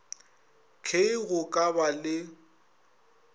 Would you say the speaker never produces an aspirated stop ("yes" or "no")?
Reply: no